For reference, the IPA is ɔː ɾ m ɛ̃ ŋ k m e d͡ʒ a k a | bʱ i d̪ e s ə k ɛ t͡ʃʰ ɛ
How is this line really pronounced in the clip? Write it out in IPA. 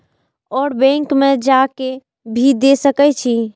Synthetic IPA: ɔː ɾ b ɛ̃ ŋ k m e d͡ʒ a k e | bʱ i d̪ e s ə k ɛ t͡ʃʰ i